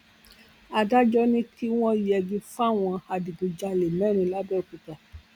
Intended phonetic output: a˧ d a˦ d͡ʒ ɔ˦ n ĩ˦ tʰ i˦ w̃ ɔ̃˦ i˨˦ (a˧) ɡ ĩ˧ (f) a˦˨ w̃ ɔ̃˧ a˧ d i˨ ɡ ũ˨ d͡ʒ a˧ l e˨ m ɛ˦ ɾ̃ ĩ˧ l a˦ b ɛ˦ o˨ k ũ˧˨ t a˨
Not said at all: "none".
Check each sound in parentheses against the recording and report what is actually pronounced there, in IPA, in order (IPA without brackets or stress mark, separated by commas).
ɛ˧, f